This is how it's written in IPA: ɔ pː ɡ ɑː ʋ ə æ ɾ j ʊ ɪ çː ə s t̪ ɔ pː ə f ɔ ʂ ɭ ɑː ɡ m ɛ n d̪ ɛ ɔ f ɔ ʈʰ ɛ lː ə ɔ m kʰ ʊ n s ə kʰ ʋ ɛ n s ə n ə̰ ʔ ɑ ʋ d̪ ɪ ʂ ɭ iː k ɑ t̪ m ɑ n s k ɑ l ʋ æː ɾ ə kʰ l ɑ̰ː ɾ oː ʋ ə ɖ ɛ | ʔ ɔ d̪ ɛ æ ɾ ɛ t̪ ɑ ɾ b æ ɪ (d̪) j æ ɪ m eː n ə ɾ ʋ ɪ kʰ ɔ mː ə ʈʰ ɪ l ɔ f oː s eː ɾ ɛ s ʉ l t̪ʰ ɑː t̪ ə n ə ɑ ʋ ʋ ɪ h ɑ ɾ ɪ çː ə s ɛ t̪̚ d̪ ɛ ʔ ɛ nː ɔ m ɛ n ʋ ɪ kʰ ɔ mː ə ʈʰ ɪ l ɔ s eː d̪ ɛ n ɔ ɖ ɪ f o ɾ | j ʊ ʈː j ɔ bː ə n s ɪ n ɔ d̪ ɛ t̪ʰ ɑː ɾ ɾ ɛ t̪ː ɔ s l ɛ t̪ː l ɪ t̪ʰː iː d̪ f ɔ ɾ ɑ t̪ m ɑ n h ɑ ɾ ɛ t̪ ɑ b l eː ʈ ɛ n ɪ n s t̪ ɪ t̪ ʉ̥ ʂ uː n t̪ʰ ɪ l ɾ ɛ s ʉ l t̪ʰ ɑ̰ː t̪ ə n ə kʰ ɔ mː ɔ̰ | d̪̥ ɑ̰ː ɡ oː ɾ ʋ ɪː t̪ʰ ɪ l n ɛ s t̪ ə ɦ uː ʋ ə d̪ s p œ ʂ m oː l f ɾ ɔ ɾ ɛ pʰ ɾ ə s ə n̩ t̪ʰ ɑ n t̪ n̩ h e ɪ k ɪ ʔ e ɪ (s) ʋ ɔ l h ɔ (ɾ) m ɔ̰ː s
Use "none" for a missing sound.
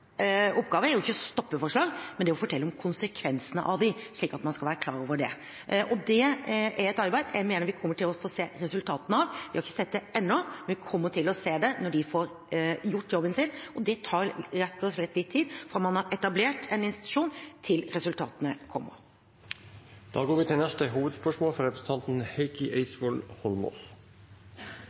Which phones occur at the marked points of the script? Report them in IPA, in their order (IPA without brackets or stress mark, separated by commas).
d̪, s, l